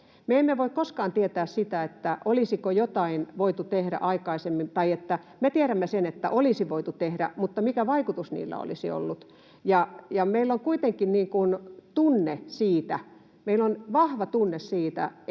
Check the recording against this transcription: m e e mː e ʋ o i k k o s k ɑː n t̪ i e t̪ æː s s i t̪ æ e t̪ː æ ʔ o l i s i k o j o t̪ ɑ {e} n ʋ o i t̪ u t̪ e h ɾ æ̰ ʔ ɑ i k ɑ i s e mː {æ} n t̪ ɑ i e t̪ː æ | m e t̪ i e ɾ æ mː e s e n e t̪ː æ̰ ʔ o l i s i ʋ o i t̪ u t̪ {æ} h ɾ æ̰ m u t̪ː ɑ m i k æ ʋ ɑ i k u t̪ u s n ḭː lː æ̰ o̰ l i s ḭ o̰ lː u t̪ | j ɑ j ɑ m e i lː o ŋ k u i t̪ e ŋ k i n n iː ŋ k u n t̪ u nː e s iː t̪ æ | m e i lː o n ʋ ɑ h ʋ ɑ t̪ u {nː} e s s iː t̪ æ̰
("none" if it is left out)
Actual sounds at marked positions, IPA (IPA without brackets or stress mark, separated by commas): i, i, e, nː